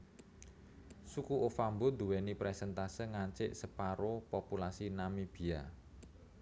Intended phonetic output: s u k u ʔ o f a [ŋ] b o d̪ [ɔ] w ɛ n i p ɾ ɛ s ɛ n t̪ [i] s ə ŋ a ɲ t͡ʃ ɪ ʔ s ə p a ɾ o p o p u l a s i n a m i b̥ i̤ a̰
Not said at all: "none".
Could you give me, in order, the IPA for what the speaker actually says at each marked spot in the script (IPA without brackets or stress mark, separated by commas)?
m, u, a